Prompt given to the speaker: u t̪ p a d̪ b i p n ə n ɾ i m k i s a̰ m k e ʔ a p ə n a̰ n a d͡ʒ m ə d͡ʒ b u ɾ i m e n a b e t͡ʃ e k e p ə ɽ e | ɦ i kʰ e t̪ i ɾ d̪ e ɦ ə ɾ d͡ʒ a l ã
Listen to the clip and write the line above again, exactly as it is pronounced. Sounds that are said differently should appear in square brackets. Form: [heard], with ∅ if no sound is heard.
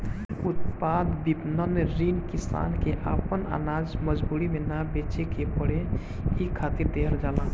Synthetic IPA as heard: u t̪ p a d̪ b i p n ə n ɾ i [n] k i s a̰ [n] k e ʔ a p ə n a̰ n a d͡ʒ m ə d͡ʒ b u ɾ i m e n a b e t͡ʃ e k e p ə ɽ e | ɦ i kʰ [a] t̪ i ɾ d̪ e ɦ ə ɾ d͡ʒ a l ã

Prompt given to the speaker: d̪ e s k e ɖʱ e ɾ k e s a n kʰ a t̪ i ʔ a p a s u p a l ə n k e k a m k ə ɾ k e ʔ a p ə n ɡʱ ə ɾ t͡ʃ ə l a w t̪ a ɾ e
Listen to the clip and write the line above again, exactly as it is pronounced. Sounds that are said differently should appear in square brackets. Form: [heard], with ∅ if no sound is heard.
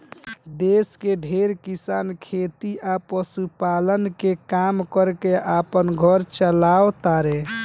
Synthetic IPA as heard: d̪ e s k e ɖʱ e ɾ k [i] s a n kʰ [e] t̪ i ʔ a p [ə] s u p a l ə n k e k a m k ə ɾ k e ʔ a p ə n ɡʱ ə ɾ t͡ʃ ə l a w t̪ a ɾ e

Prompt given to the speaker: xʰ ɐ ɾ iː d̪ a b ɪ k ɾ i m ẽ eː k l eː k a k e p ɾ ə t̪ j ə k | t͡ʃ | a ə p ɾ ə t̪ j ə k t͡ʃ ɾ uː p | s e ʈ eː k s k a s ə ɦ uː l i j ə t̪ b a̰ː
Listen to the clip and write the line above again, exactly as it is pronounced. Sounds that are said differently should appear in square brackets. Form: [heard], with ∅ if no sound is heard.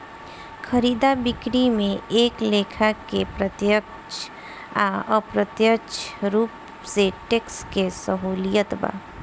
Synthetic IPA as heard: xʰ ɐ ɾ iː d̪ a b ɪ k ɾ i m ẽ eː k l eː [kʰ] a k e p ɾ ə t̪ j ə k | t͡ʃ | a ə p ɾ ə t̪ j ə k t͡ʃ ɾ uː p | s e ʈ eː k s k [e] s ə ɦ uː l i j ə t̪ b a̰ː

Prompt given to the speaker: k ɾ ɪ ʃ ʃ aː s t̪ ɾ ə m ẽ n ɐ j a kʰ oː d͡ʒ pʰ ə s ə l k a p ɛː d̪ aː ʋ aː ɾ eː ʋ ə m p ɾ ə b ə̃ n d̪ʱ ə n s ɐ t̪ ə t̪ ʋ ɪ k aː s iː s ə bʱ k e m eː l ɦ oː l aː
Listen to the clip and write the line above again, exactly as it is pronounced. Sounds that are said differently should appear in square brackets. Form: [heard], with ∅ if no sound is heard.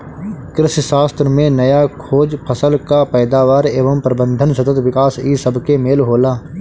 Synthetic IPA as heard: k ɾ ɪ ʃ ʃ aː s t̪ ɾ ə m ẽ n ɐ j a kʰ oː d͡ʒ pʰ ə s ə l k a p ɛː d̪ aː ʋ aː ɾ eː ʋ ə m p ɾ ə b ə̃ n d̪ʱ ə n s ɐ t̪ ə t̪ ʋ ɪ k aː s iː s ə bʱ k e m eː l ɦ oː l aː

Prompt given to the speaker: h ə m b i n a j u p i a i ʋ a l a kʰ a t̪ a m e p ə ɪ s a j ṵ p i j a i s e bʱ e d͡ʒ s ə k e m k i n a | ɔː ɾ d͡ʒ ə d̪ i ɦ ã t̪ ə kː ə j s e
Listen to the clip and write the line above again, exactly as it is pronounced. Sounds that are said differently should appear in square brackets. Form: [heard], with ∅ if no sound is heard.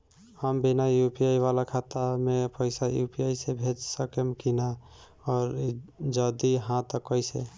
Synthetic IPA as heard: h ə m b i n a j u p i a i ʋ a l a kʰ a t̪ a m e p ə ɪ s a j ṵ p i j a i s e bʱ e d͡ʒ s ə k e m k i n a | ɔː ɾ d͡ʒ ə d̪ i ɦ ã t̪ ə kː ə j s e

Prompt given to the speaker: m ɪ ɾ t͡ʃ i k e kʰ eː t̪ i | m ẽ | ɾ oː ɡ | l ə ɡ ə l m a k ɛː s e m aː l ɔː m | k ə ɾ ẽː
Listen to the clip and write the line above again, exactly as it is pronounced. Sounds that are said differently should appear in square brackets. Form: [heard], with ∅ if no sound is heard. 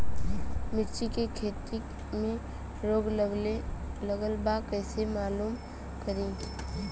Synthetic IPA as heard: m ɪ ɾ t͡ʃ i k e kʰ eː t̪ i | m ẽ | ɾ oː ɡ | l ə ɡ ə l [b] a k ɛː s e m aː l [uː] m | k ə ɾ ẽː

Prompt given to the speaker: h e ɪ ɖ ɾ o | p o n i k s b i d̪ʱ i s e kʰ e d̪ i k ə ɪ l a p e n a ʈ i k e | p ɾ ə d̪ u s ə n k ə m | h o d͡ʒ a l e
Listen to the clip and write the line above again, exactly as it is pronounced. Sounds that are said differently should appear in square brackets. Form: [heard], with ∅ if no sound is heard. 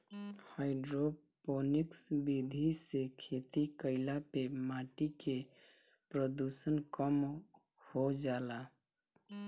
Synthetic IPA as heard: h [a] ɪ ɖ ɾ o | p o n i k s b i d̪ʱ i s e kʰ e [t̪] i k ə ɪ l a p e [m] a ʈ i k e | p ɾ ə d̪ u s ə n k ə m | h o d͡ʒ a l [a]

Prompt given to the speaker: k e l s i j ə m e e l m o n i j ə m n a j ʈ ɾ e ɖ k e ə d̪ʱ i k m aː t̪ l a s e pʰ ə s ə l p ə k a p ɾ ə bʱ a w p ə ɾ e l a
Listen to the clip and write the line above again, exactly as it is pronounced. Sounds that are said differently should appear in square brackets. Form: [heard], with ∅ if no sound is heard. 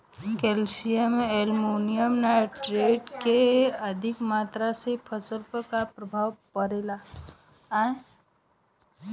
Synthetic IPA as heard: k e l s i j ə m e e l m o n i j ə m n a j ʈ ɾ e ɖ k e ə d̪ʱ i k m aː t̪ [ɾ] a s e pʰ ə s ə l p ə k a p ɾ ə bʱ a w p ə ɾ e l a

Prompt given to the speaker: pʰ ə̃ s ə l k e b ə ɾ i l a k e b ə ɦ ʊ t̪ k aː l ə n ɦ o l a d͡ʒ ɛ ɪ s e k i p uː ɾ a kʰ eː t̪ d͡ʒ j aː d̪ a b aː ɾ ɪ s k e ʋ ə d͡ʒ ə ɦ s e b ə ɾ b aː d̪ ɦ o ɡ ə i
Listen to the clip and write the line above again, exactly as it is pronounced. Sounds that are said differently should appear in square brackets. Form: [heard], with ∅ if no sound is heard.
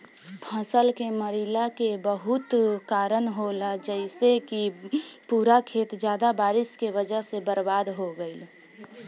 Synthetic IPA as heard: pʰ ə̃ s ə l k e [m] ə ɾ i l a k e b ə ɦ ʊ t̪ k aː [ɾ] ə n ɦ o l a d͡ʒ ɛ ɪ s e k i p uː ɾ a kʰ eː t̪ d͡ʒ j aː d̪ a b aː ɾ ɪ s k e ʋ ə d͡ʒ ə ɦ s e b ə ɾ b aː d̪ ɦ o ɡ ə i

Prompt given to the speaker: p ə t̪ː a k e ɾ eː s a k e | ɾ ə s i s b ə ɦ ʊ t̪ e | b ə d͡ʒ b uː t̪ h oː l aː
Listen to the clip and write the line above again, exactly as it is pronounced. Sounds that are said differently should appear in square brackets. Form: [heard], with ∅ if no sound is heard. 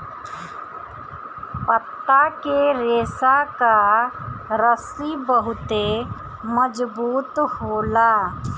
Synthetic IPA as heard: p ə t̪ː a k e ɾ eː s a k [a] | ɾ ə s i [∅] b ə ɦ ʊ t̪ e | [m] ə d͡ʒ b uː t̪ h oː l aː

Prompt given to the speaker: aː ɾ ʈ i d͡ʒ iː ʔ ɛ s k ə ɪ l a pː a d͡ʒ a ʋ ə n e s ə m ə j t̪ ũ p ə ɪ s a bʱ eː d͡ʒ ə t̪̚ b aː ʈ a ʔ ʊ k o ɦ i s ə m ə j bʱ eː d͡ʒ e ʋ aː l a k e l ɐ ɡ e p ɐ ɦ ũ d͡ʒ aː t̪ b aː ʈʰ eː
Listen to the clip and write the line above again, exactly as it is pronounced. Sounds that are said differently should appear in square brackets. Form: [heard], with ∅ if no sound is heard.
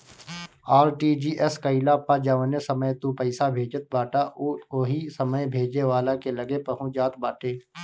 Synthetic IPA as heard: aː ɾ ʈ i d͡ʒ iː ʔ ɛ s k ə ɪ l a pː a d͡ʒ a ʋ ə n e s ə m ə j t̪ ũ p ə ɪ s a bʱ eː d͡ʒ ə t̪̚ b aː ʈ a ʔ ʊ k o ɦ i s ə m ə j bʱ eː d͡ʒ e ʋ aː l a k e l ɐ ɡ e p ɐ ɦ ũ d͡ʒ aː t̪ b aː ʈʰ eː

